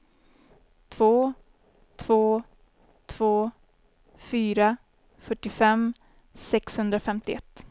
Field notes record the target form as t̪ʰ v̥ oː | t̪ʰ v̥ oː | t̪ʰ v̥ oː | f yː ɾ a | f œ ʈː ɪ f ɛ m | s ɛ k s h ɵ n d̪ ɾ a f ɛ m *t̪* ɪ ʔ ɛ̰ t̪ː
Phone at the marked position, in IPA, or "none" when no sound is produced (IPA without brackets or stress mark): t̪